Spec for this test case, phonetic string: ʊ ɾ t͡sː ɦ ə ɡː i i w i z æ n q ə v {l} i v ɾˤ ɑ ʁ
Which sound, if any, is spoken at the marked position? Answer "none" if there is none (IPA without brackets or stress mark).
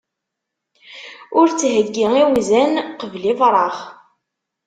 l